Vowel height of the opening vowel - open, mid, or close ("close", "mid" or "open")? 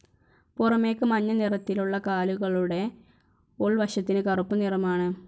close